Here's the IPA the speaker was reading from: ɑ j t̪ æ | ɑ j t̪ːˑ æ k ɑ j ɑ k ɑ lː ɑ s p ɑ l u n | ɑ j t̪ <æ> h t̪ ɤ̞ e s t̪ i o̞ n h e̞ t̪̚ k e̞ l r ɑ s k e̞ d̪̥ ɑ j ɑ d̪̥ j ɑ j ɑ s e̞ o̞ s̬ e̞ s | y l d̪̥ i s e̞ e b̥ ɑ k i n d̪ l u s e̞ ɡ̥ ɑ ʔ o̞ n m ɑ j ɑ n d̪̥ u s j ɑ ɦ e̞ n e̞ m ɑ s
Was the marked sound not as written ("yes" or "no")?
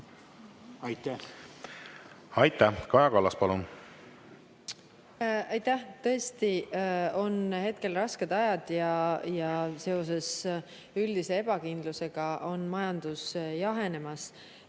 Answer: no